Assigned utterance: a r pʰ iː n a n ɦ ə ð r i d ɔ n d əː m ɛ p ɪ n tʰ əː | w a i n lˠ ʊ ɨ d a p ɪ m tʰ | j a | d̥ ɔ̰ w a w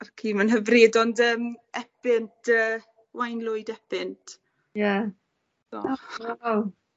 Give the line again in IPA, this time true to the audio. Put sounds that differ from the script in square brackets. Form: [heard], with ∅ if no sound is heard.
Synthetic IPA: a r [kʰ] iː [m] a n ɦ ə [v] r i d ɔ n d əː m ɛ p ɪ n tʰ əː | w a [j] n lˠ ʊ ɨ d [ɛ] p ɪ [n] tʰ | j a | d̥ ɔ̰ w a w